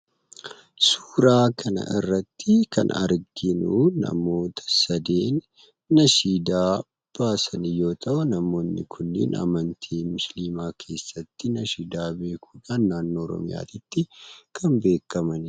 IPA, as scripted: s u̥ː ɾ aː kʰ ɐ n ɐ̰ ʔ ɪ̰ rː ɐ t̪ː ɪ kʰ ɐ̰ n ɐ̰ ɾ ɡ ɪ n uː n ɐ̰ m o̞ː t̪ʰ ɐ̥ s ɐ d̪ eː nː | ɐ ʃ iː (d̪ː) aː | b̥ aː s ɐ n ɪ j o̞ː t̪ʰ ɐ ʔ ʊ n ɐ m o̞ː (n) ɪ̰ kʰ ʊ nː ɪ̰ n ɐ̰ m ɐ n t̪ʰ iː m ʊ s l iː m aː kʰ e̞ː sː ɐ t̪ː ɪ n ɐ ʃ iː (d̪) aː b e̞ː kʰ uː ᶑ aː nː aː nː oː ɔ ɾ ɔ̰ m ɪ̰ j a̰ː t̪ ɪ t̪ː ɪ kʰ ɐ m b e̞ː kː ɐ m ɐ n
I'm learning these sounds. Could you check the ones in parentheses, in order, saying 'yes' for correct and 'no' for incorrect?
no, no, yes

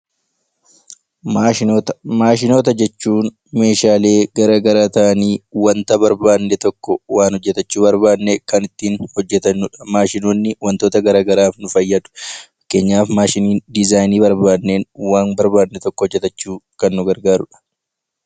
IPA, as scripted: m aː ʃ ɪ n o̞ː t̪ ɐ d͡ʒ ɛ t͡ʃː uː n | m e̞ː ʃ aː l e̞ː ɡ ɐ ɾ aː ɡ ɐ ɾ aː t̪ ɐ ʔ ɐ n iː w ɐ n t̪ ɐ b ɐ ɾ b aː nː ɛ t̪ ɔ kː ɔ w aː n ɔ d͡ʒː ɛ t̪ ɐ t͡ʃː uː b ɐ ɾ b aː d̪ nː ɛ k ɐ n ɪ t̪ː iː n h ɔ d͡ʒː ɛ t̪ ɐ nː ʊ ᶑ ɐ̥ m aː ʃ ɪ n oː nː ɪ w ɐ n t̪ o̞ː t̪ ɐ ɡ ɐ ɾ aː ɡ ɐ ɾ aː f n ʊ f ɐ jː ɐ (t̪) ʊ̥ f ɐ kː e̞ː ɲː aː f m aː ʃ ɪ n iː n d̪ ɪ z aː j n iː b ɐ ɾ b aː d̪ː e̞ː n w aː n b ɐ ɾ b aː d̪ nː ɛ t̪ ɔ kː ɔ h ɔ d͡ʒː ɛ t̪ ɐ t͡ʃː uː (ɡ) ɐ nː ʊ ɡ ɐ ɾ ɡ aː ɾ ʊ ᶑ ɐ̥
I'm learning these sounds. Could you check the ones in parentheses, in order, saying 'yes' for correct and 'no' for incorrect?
no, no

